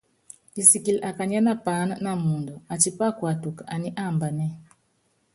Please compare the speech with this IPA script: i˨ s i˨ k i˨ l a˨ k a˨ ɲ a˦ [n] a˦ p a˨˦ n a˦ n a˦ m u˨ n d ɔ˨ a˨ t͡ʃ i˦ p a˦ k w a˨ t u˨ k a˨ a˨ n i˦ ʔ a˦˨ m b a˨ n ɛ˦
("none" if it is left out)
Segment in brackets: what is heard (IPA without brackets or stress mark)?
n